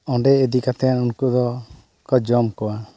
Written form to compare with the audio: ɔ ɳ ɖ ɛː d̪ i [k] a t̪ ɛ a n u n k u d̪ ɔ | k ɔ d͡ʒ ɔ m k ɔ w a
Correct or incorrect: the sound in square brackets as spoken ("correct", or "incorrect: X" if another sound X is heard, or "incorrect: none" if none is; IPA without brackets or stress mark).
correct